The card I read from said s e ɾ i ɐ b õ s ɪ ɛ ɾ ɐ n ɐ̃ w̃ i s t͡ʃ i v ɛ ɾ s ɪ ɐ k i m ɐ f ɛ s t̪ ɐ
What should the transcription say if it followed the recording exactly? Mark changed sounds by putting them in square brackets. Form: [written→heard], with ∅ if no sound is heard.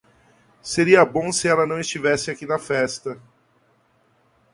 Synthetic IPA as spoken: s e ɾ i ɐ b õ s ɪ ɛ [ɾ→l] ɐ n ɐ̃ w̃ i s t͡ʃ i v ɛ [ɾ→∅] s ɪ [ɐ→a] k i [m→n] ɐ f ɛ s t̪ ɐ